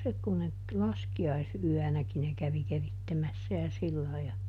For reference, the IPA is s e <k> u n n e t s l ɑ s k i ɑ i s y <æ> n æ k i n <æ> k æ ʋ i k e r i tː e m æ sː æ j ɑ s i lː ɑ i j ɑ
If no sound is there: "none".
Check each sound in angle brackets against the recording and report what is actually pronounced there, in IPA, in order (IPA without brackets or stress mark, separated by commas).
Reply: k, æ, e